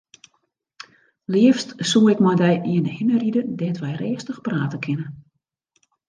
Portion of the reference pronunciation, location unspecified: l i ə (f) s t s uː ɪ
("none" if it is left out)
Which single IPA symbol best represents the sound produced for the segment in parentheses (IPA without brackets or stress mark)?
f